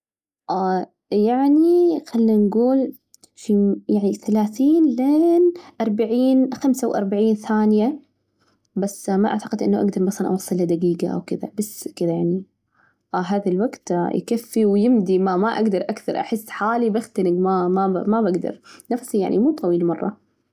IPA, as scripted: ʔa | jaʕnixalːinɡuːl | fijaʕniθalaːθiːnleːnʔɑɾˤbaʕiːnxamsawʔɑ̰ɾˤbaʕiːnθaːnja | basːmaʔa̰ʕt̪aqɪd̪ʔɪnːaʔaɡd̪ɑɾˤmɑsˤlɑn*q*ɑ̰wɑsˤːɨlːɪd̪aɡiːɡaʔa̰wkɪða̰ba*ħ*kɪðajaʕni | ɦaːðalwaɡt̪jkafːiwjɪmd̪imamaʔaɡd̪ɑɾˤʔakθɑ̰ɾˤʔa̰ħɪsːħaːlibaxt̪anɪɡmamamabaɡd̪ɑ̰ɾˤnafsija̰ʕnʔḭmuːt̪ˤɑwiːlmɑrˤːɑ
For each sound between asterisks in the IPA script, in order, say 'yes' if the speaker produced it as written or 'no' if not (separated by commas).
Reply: no, no